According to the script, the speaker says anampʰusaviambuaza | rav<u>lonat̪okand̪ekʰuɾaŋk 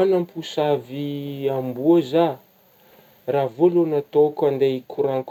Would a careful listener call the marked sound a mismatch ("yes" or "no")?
yes